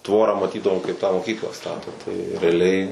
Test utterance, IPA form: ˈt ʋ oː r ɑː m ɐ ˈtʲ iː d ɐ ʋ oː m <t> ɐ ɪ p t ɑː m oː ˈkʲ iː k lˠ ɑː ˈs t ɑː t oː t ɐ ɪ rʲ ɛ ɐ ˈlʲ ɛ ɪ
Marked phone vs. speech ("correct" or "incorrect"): incorrect